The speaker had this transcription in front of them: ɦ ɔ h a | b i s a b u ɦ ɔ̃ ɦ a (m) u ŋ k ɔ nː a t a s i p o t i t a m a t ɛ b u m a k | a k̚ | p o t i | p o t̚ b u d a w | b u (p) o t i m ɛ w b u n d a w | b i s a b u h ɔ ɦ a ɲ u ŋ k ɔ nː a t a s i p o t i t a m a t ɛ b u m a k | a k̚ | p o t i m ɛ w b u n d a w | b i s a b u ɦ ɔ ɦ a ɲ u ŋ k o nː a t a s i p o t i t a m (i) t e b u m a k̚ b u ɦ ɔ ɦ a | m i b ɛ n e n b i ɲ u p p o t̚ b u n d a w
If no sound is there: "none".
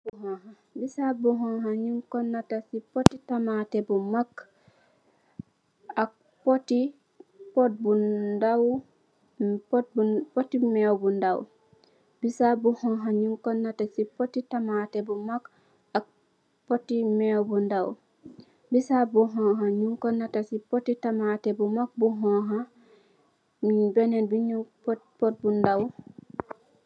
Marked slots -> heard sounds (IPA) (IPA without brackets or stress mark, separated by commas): ɲ, p, a